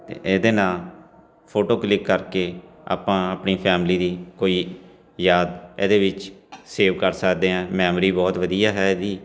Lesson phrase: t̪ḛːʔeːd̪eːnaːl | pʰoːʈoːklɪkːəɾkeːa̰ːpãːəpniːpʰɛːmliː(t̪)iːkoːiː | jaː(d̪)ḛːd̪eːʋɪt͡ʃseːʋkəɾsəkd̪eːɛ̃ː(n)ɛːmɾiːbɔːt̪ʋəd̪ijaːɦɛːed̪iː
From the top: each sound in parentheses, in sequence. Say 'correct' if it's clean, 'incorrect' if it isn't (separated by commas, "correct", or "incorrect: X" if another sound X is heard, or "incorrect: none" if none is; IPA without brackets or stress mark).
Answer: incorrect: d̪, correct, incorrect: m